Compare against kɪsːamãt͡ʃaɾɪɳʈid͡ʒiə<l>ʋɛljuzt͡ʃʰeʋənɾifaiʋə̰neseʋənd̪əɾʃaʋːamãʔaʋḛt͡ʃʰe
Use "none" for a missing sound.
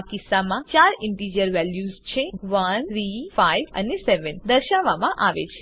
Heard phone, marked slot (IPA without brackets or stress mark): ɾ